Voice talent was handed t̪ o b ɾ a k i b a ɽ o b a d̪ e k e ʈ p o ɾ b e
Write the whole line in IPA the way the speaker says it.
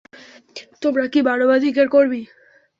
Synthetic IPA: t̪ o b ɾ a k i b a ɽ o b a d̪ i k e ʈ k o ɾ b i